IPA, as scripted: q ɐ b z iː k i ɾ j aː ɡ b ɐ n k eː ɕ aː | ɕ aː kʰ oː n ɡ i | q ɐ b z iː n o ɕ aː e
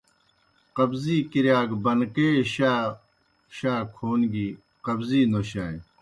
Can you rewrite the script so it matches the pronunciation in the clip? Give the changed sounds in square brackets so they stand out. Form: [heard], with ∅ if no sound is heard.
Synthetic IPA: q ɐ b z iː k i ɾ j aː ɡ b ɐ n k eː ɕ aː | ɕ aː kʰ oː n ɡ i | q ɐ b z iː n o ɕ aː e

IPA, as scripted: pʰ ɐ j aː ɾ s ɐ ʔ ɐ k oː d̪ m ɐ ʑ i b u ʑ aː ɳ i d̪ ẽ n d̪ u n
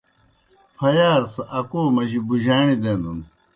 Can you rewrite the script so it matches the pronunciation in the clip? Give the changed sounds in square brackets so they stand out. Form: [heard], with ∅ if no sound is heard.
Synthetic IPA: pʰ ɐ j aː ɾ s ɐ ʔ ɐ k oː [∅] m ɐ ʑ i b u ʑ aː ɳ i d̪ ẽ n d̪ u n

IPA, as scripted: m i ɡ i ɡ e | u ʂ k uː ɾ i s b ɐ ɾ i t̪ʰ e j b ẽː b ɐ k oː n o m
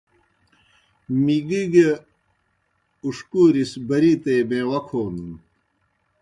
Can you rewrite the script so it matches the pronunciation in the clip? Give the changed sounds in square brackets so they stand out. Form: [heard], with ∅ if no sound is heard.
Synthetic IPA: m i ɡ i ɡ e | u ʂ k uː ɾ i s b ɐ ɾ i [t̪] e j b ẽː [w] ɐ [kʰ] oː n [u] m

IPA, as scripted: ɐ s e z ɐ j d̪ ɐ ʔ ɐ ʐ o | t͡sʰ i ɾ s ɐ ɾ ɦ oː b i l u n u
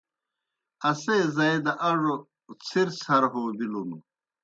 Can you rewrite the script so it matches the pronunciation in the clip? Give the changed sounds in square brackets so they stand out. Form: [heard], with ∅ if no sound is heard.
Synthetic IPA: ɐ s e z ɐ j d̪ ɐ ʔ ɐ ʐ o | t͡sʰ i ɾ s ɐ ɾ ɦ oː b i l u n u

